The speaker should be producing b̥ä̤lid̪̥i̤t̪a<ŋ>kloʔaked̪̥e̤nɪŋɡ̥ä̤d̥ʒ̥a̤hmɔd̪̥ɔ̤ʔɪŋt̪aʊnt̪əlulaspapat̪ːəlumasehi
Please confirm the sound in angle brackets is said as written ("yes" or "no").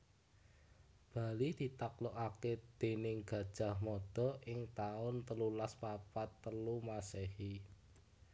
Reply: no